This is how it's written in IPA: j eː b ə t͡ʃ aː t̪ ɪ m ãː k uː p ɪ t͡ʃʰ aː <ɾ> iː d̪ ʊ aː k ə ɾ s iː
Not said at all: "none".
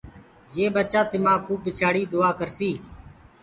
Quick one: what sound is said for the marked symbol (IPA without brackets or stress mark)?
ɽ